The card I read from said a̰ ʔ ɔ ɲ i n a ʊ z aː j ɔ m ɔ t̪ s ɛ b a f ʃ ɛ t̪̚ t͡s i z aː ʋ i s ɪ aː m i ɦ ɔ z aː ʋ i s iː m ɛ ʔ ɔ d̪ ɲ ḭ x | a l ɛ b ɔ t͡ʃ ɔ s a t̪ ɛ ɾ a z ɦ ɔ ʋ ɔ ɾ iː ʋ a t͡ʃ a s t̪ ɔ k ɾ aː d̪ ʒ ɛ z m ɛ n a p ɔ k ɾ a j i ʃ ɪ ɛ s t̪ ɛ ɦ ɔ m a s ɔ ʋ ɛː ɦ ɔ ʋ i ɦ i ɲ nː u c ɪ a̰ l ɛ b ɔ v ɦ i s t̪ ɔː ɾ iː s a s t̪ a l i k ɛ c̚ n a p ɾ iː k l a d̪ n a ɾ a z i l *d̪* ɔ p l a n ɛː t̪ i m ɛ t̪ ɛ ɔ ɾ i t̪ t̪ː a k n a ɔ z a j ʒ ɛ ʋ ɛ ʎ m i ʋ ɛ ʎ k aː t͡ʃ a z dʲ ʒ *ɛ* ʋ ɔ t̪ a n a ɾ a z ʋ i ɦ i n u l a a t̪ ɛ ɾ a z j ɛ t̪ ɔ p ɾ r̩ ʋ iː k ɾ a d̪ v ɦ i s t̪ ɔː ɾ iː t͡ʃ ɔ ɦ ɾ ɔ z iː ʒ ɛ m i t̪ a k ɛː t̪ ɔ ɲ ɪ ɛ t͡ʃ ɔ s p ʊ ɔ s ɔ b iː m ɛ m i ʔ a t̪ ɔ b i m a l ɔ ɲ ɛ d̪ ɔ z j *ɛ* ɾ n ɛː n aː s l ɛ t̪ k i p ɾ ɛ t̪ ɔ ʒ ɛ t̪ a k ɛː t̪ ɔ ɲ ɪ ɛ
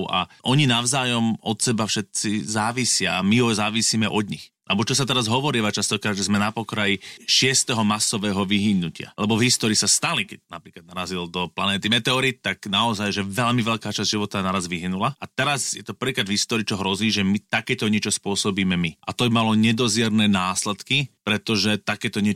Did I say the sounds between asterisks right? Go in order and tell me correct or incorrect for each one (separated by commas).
correct, incorrect, correct